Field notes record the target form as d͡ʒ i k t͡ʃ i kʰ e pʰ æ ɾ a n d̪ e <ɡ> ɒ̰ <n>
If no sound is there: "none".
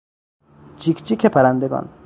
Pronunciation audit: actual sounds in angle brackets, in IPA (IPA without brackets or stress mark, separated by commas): ɡ, n